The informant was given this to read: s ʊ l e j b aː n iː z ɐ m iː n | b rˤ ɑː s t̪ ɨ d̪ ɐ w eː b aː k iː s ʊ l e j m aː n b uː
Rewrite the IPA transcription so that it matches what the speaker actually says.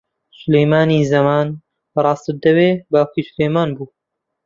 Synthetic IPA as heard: s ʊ l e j m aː n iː z ɐ m aː n | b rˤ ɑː s t̪ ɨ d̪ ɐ w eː b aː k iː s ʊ l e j m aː n b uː